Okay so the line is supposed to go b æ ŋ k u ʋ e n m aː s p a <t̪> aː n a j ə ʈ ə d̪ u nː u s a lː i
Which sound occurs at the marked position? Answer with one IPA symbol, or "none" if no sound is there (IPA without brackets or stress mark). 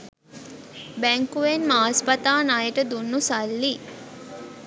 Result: t̪